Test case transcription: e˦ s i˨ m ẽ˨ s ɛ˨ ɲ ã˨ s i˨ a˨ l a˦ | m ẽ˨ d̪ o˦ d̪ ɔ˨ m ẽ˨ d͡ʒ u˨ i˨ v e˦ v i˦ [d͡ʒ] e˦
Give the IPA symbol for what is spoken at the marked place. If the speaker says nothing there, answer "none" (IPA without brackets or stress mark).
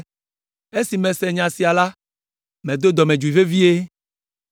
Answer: none